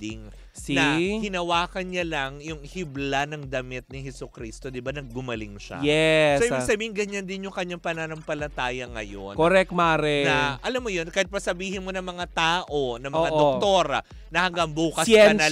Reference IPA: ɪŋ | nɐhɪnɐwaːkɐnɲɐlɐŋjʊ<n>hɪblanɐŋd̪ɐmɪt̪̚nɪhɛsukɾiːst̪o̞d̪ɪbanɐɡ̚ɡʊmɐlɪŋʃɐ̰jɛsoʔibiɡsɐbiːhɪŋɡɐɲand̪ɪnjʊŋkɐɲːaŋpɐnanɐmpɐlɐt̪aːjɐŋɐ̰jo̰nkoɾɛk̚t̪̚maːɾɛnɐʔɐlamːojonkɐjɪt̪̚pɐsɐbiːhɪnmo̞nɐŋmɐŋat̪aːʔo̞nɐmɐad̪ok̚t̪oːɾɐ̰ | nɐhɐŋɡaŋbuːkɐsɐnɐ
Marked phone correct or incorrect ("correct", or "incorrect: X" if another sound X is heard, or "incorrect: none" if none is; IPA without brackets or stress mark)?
incorrect: ŋ